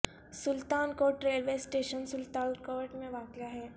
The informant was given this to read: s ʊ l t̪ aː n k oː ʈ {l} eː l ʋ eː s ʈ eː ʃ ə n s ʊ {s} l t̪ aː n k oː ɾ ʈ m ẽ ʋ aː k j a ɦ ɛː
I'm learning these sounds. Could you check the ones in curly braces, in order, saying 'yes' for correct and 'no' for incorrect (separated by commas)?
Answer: no, no